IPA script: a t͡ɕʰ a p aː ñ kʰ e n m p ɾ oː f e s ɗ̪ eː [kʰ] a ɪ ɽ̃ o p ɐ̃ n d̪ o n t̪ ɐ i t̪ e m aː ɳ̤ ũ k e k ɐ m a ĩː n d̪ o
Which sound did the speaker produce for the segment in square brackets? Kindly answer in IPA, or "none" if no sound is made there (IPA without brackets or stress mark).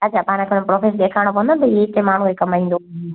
kʰ